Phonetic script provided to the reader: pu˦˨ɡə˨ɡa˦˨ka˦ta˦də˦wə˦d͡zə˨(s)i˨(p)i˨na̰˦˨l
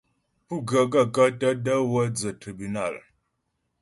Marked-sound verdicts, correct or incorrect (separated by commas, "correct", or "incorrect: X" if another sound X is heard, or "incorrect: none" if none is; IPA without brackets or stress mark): incorrect: t, incorrect: b